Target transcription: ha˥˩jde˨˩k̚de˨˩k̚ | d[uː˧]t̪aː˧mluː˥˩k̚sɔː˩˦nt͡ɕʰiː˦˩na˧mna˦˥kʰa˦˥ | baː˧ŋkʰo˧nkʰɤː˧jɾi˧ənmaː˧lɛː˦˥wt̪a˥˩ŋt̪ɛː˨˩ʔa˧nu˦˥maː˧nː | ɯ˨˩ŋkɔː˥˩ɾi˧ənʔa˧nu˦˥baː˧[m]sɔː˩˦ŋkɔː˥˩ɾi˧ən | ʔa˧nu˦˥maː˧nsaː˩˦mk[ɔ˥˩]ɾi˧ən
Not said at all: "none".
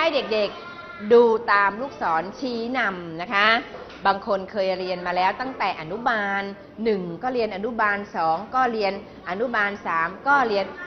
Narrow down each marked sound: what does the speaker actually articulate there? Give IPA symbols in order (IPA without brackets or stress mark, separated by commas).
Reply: uː˧, n, ɔː˥˩